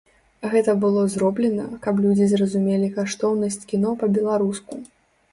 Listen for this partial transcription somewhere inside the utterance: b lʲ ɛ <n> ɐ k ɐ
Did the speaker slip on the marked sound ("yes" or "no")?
no